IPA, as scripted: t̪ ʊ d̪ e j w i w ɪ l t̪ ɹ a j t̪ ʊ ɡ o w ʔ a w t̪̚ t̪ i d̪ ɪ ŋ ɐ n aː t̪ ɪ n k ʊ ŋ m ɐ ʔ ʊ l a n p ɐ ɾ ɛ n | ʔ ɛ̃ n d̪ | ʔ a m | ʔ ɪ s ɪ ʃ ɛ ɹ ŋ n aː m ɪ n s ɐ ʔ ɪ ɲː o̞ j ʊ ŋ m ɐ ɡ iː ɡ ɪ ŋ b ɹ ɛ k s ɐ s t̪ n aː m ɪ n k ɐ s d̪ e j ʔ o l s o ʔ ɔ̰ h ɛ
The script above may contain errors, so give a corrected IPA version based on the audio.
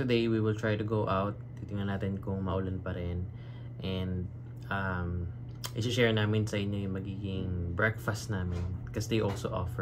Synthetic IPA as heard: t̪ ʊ d̪ e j w i w ɪ l t̪ ɹ a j t̪ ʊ ɡ o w ʔ a w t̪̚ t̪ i t̪ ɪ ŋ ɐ n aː t̪ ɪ n k ʊ ŋ m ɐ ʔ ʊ l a n p ɐ ɾ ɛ n | ʔ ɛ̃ n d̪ | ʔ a m | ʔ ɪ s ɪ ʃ ɛ ɹ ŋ n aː m ɪ n s ɐ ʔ ɪ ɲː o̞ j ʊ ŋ m ɐ ɡ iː ɡ ɪ ŋ b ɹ ɛ k f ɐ s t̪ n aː m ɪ n k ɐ s d̪ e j ʔ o l s o ʔ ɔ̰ f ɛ

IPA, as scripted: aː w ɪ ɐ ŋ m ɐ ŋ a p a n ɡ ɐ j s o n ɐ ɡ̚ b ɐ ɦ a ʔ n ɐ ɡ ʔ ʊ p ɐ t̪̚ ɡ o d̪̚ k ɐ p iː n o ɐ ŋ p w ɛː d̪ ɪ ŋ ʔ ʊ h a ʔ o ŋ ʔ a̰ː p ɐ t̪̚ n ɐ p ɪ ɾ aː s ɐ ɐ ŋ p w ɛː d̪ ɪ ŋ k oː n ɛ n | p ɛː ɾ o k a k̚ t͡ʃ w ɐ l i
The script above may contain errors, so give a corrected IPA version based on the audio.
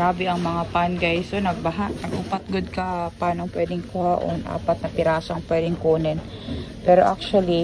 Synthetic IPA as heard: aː b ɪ ɐ ŋ m ɐ ŋ a p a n ɡ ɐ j s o n ɐ ɡ̚ b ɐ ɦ a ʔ n ɐ ɡ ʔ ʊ p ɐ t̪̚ ɡ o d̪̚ k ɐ p aː n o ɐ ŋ p w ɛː d̪ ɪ ŋ k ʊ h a ʔ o n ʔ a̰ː p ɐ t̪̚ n ɐ p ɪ ɾ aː s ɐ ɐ ŋ p w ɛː d̪ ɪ ŋ k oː n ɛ n | p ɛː ɾ o ʔ a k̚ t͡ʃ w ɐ l i

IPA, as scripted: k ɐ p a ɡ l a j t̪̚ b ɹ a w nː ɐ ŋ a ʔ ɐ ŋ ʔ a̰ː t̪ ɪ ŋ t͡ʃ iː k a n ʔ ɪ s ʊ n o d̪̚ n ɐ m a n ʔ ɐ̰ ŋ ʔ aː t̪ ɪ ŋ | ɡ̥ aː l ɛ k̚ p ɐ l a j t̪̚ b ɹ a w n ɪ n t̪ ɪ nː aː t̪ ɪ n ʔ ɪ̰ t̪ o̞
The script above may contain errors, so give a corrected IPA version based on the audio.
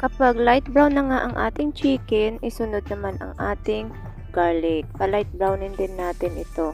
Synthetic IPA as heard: k ɐ p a ɡ l a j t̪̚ b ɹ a w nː ɐ ŋ a ʔ ɐ ŋ ʔ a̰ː t̪ ɪ ŋ t͡ʃ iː k ɛ n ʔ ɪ s ʊ n o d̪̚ n ɐ m a n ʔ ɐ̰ ŋ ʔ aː t̪ ɪ ŋ | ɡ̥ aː l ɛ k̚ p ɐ l a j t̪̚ b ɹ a w n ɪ n d̪ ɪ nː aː t̪ ɪ n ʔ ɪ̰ t̪ o̞

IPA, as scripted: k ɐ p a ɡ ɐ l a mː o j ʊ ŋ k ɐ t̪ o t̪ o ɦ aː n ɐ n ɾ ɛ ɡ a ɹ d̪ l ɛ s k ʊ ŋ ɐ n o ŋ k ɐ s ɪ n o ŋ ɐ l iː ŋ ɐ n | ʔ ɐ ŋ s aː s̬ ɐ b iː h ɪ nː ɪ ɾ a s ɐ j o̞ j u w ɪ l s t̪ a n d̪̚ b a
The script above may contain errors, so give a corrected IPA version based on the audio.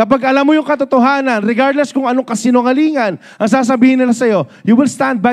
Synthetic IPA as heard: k ɐ p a ɡ ɐ l a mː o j ʊ ŋ k ɐ t̪ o t̪ o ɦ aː n ɐ n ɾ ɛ ɡ a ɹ d̪ l ɛ s k ʊ ŋ ɐ n o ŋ k ɐ s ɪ n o ŋ ɐ l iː ŋ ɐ n | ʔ ɐ ŋ s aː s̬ ɐ b iː h ɪ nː ɪ l a s ɐ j o̞ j u w ɪ l s t̪ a n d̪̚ b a

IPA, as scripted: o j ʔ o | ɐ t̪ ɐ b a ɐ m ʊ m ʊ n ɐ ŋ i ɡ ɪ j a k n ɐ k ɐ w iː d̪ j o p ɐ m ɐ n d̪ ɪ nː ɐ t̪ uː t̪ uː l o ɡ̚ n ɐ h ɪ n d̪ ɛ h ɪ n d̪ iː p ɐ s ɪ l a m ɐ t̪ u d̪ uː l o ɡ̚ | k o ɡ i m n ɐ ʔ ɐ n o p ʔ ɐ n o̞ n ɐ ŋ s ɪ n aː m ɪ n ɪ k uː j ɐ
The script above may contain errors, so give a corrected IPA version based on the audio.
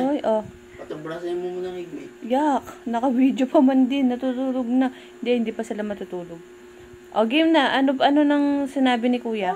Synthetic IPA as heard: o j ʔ o | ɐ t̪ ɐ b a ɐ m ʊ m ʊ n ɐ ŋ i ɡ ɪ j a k n ɐ k ɐ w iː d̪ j o p ɐ m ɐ n d̪ ɪ nː ɐ t̪ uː t̪ uː l o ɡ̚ n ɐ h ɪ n d̪ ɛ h ɪ n d̪ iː p ɐ s ɪ l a m ɐ t̪ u t̪ uː l o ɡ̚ | ʔ o ɡ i m n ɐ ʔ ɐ n o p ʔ ɐ n o̞ n ɐ ŋ s ɪ n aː b ɪ n ɪ k uː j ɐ

